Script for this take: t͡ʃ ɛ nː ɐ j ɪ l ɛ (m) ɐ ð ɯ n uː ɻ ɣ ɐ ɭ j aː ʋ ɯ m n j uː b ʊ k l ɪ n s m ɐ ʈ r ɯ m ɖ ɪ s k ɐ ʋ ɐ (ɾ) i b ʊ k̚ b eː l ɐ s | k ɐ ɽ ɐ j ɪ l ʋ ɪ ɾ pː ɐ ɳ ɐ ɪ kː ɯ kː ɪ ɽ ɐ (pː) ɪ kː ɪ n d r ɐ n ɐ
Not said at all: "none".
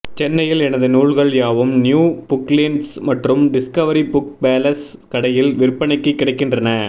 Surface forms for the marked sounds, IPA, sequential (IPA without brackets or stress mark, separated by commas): n, ɾ, none